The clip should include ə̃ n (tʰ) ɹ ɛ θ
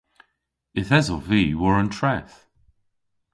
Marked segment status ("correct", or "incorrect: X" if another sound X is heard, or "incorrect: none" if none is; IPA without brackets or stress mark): correct